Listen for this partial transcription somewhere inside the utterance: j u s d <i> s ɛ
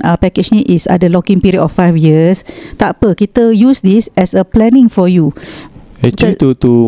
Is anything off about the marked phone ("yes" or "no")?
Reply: no